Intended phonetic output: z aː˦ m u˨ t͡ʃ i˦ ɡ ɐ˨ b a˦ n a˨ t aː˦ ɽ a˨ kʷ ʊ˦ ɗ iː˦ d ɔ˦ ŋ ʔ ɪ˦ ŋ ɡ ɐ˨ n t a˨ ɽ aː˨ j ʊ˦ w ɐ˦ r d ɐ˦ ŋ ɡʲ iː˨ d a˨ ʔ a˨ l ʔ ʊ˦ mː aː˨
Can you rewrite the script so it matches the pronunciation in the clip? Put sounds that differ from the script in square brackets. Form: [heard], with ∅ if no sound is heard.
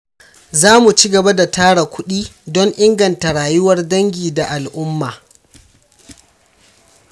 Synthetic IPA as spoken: z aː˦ m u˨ t͡ʃ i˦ ɡ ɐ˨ b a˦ [d] a˨ t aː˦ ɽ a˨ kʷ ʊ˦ ɗ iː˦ d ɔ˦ ŋ ʔ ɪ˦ ŋ ɡ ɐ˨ n t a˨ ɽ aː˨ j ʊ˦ w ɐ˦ r d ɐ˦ ŋ ɡʲ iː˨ d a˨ ʔ a˨ l ʔ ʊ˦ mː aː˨